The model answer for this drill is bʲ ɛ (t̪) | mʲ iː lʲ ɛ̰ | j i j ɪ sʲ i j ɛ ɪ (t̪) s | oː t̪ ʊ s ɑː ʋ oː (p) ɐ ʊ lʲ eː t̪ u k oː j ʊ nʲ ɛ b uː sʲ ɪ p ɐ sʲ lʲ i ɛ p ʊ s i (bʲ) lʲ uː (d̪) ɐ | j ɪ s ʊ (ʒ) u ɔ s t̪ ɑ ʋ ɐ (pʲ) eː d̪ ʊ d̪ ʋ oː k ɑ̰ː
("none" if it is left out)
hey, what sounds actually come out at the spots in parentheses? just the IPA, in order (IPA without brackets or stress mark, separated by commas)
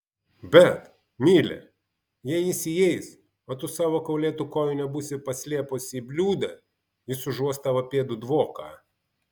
t̪, none, k, bʲ, d̪, ʒ, pʲ